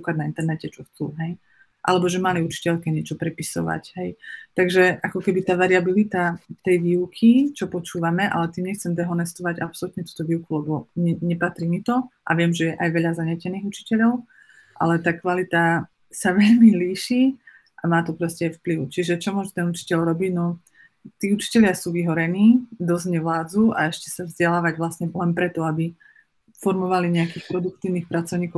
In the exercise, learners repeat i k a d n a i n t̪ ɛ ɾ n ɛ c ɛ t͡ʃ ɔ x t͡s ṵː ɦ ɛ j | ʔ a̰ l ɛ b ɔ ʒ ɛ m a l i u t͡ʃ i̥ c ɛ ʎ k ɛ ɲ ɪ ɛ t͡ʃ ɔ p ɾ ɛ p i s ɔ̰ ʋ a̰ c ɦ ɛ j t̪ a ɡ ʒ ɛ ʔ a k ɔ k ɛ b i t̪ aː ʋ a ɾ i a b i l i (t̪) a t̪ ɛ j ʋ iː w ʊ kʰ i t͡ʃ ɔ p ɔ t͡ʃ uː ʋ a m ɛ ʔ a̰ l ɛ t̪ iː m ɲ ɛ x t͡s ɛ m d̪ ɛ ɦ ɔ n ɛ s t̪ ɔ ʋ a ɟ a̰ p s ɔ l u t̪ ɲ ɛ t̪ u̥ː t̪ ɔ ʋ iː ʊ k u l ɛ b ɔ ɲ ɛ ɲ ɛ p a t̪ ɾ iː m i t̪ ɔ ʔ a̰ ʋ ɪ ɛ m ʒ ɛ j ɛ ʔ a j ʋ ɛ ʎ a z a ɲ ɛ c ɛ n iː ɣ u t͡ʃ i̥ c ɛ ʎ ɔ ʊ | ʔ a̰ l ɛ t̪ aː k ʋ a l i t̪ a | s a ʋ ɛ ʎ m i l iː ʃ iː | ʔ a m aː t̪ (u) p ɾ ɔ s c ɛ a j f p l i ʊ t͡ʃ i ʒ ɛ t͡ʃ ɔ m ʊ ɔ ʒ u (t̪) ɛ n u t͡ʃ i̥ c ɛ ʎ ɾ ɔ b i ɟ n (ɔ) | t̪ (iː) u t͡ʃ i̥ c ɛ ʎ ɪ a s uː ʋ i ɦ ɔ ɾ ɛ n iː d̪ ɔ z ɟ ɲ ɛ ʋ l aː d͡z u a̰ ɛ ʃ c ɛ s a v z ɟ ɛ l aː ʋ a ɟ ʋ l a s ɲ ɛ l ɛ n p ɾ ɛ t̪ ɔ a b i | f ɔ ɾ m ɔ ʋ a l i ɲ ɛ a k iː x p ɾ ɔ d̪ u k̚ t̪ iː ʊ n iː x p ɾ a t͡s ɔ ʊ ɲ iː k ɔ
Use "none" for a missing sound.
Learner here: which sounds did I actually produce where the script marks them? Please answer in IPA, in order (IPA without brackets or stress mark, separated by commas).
t̪, ɔ, t̪, ɔ, iː